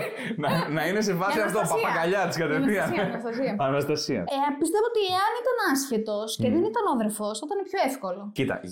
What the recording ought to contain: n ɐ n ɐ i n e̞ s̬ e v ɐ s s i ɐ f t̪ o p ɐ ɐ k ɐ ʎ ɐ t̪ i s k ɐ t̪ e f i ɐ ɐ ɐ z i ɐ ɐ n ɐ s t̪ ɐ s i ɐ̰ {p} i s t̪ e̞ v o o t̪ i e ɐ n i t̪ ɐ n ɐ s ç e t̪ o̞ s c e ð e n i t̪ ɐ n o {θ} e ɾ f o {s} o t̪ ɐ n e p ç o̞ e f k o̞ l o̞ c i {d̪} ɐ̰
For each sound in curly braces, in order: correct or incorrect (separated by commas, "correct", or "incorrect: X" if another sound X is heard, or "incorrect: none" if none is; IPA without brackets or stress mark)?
correct, incorrect: ð, correct, incorrect: t̪